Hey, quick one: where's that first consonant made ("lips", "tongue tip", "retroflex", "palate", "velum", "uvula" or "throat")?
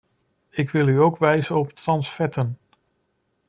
velum